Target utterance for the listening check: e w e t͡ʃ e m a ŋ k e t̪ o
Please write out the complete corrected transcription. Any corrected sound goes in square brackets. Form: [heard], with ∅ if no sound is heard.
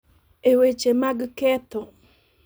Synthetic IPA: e w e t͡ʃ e m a [ɡ] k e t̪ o